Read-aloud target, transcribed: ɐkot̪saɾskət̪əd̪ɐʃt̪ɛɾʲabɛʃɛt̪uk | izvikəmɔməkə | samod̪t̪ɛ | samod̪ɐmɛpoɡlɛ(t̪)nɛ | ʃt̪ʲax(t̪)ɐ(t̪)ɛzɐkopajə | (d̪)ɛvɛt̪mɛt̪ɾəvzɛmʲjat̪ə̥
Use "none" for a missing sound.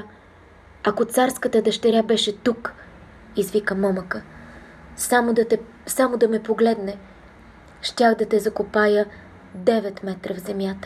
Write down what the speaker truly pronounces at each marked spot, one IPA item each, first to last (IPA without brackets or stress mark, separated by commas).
d̪, d̪, t̪, d̪